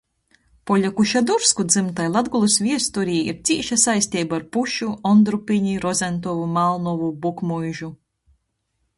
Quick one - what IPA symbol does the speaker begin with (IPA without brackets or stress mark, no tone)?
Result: p